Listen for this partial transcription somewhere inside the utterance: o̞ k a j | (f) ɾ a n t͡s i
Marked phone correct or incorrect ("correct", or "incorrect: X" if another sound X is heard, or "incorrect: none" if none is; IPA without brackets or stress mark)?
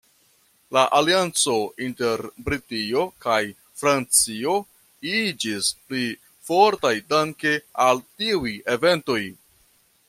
correct